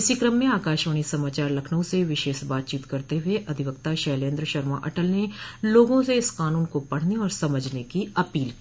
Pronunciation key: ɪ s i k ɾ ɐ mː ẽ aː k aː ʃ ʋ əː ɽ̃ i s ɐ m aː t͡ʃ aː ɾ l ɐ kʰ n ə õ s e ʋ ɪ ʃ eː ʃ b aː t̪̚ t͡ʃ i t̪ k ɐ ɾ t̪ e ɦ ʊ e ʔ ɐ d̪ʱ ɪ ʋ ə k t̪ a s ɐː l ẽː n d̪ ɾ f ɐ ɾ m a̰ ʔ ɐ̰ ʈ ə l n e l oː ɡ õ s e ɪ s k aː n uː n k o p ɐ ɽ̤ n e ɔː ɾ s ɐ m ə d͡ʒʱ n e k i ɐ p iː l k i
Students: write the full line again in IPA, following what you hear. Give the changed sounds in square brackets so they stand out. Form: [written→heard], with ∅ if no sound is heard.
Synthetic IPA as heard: ɪ s i k ɾ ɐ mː ẽ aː k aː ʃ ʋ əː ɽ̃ i s ɐ m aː t͡ʃ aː ɾ l ɐ kʰ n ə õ s e ʋ ɪ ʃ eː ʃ b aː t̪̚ t͡ʃ [i→iː] t̪ k ɐ ɾ t̪ e ɦ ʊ e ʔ ɐ d̪ʱ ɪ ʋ ə k t̪ a [s→ʃ] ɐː l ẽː n d̪ ɾ [f→ʃ] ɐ ɾ m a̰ ʔ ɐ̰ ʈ ə l n e l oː ɡ õ s e ɪ s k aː n uː n k o p ɐ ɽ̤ n e ɔː ɾ s ɐ m ə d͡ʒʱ n e k i ɐ p iː l k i